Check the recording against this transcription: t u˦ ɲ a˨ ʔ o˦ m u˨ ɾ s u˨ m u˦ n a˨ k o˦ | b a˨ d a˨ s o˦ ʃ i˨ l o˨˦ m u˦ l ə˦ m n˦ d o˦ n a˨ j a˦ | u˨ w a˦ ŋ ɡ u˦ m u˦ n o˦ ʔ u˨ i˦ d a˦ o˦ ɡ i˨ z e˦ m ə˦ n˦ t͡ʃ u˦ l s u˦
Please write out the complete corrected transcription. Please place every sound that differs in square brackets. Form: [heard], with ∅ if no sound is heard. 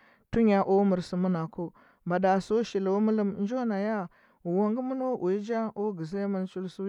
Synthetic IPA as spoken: t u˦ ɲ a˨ ʔ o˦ m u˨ ɾ s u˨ m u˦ n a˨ k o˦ | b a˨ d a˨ s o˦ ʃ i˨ l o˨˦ m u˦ l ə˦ m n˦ [d͡ʒ] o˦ n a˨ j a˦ | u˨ w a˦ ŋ ɡ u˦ m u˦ n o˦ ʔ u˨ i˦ [d͡ʒ] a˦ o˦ ɡ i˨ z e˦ m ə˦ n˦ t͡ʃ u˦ l s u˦